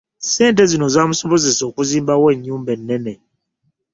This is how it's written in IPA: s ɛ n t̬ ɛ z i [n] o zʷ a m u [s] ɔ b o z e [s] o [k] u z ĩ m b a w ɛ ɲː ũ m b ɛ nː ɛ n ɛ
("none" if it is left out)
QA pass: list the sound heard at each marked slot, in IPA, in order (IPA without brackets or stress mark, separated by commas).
n, s, s, k